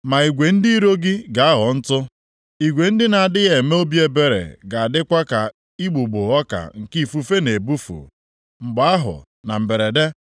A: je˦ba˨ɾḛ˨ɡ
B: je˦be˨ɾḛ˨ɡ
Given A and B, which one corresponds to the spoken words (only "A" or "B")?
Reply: B